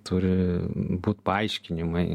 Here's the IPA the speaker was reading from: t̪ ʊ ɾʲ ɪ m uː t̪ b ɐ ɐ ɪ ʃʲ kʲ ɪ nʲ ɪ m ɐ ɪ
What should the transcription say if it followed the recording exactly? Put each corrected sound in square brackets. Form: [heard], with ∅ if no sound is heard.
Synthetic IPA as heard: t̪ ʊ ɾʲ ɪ [b] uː t̪ [p] ɐ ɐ ɪ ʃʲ kʲ ɪ nʲ ɪ m ɐ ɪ